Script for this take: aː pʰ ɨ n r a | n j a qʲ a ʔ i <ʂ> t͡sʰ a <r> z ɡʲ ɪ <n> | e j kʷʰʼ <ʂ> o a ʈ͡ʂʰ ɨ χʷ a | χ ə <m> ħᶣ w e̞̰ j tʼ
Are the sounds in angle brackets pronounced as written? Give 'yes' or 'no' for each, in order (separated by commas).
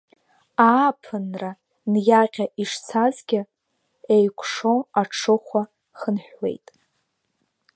yes, no, no, yes, no